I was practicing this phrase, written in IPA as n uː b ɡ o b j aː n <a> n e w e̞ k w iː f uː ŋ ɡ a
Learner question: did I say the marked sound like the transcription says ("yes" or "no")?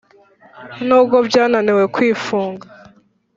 yes